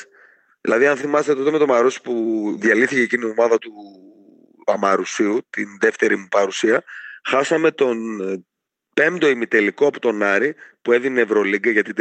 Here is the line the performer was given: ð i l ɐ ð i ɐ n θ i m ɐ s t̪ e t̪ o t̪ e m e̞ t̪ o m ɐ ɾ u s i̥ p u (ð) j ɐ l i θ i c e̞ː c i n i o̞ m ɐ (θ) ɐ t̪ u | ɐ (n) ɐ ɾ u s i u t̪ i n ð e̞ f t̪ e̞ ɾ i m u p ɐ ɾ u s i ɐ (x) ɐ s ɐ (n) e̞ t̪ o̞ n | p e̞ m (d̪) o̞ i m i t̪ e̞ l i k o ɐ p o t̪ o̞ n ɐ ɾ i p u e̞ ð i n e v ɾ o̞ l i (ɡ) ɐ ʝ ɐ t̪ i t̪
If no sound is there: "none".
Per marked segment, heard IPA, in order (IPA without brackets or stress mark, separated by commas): ð, ð, m, x, m, d̪, ɡ